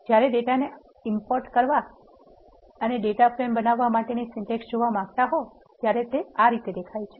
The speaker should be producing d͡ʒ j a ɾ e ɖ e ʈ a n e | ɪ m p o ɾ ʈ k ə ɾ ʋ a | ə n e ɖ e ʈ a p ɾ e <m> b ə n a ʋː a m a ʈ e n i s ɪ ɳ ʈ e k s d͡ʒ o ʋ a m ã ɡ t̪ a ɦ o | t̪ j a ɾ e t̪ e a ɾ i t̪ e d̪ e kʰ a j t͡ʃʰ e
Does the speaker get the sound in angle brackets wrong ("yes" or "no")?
no